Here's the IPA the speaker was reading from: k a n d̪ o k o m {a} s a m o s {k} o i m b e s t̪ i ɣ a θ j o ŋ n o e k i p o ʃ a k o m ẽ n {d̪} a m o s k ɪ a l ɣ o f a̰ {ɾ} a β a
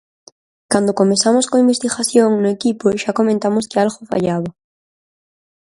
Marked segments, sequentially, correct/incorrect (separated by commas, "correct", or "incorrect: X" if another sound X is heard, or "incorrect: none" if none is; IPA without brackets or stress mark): incorrect: e, correct, incorrect: t̪, incorrect: ʎ